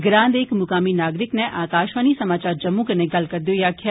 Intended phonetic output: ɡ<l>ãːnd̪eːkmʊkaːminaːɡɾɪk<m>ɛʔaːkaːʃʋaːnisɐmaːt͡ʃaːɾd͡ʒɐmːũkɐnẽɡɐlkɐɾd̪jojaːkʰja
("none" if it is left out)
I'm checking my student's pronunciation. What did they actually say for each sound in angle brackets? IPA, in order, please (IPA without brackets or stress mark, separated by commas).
ɾ, n